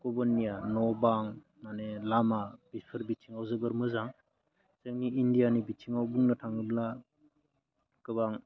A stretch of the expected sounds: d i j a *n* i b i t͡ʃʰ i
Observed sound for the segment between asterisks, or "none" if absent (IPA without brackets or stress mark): n